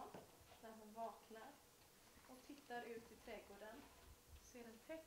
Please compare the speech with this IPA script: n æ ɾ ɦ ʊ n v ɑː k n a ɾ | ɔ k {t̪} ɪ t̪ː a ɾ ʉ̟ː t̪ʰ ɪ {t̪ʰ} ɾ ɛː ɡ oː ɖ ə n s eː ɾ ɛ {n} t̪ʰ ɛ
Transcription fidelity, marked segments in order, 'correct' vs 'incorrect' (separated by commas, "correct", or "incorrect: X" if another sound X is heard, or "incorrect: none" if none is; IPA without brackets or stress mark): incorrect: t̪ʰ, correct, correct